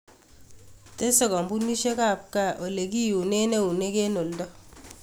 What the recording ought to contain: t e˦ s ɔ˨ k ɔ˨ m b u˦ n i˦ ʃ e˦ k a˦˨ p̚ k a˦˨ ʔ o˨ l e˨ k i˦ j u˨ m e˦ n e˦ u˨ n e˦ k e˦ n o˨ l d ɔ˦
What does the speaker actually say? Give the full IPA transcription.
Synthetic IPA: t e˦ s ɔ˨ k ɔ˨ m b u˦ n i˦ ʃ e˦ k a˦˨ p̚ k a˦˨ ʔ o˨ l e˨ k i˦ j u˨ n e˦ n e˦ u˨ n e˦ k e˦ n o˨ l d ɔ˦